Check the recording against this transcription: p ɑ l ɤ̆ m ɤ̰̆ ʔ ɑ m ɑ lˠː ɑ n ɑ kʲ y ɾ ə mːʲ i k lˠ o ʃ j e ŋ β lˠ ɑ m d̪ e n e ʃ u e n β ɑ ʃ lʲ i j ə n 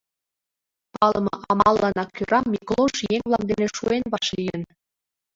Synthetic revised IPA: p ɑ l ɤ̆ m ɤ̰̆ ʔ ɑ m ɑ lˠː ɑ n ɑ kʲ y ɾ ɑ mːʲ i k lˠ o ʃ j e ŋ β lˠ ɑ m d̪ e n e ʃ u e n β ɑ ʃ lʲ i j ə n